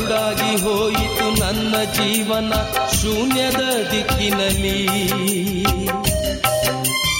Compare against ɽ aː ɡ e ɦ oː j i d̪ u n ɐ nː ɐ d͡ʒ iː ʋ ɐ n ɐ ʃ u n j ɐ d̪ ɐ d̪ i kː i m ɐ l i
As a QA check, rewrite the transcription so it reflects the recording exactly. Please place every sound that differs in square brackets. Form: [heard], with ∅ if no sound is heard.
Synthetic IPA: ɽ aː ɡ [i] ɦ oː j i [t̪] u n ɐ nː ɐ d͡ʒ iː ʋ ɐ n ɐ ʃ u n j ɐ d̪ ɐ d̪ i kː i [n] ɐ l i